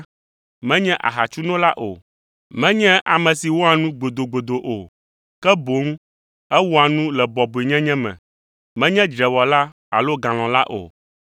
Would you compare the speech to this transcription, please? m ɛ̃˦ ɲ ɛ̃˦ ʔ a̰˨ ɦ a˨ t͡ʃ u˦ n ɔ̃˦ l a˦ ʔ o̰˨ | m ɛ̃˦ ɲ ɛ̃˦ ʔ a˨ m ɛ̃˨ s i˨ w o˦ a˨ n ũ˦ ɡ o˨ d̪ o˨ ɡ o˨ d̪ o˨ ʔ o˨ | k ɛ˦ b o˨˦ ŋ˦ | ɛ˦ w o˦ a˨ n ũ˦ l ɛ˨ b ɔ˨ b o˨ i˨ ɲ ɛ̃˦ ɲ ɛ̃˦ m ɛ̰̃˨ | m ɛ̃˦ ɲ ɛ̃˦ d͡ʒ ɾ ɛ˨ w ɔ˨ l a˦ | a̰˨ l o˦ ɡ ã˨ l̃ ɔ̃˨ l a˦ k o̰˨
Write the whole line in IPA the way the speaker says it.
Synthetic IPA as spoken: m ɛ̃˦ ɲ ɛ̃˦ ʔ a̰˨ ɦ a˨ t͡ʃ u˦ n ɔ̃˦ l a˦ ʔ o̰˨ | m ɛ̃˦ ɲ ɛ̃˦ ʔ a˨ m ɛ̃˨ s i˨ w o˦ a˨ n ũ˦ ɡ͡b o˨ d̪ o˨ ɡ͡b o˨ d̪ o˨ ʔ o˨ | k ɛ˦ b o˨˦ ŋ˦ | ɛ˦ w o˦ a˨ n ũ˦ l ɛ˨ b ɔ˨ b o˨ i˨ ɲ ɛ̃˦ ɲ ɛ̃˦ m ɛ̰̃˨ | m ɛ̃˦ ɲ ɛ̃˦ d͡ʒ ɾ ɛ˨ w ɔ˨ l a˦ | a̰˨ l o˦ ɡ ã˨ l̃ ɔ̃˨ l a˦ ʔ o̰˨